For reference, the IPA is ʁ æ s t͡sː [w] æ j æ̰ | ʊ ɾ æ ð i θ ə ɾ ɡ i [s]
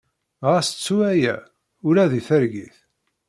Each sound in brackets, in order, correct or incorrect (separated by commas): incorrect, incorrect